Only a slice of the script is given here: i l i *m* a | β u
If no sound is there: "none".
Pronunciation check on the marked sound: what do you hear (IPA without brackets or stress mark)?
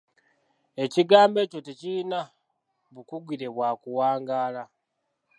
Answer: n